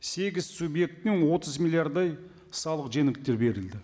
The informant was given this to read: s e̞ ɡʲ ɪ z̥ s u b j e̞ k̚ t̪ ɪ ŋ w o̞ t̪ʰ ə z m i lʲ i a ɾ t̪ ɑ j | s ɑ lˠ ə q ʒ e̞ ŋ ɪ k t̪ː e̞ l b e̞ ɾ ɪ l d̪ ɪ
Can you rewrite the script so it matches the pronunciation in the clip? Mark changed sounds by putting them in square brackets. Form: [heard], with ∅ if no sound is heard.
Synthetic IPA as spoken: s e̞ ɡʲ ɪ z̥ s u b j e̞ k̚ t̪ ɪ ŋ w o̞ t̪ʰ ə z m i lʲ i a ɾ [d̪] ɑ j | s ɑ lˠ ə q ʒ e̞ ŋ ɪ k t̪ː e̞ [ɾ] b e̞ ɾ ɪ l d̪ ɪ